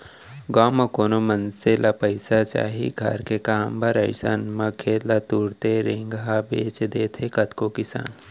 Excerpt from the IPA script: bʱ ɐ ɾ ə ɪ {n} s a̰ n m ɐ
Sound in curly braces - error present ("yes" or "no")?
yes